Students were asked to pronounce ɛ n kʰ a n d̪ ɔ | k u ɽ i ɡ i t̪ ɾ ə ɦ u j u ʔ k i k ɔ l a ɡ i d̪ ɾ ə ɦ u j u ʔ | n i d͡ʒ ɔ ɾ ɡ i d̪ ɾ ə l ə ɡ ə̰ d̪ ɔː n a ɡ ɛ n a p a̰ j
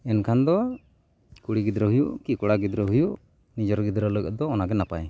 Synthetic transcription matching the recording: ɛ n kʰ a n d̪ ɔ | k u ɽ i ɡ i d̪ ɾ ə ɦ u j u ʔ k i k ɔ ɽ a ɡ i d̪ ɾ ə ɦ u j u ʔ | n i d͡ʒ ɔ ɾ ɡ i d̪ ɾ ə l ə ɡ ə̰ d̪ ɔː n a ɡ ɛ n a p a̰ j